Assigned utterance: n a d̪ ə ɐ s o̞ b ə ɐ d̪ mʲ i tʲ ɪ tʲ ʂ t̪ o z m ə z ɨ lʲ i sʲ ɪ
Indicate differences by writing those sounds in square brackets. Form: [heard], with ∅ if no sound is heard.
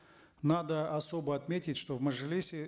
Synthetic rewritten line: n a d̪ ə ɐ s o̞ b ə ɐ [t̪] mʲ [e] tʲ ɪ tʲ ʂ t̪ o [v] m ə [ʐ] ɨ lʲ i sʲ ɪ